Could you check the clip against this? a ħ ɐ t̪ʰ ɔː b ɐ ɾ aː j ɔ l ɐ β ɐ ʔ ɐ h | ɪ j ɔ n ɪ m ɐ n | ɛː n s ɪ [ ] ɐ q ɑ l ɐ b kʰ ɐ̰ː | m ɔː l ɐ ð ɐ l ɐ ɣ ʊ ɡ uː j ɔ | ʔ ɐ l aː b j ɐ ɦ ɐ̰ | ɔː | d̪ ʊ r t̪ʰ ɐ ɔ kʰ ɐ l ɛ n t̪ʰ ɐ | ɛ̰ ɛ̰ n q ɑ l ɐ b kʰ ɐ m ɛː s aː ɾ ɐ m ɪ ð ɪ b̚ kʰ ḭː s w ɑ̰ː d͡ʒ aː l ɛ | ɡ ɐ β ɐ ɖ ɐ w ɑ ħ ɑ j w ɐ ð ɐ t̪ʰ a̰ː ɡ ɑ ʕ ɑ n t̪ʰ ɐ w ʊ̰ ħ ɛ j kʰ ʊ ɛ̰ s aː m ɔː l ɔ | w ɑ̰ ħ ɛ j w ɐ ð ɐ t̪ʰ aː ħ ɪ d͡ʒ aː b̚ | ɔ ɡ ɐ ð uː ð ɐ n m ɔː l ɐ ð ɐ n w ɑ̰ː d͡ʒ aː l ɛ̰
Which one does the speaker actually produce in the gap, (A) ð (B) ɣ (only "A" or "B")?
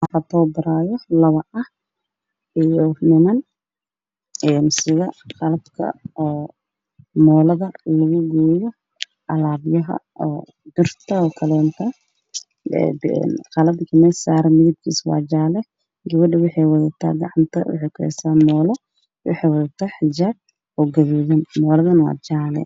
B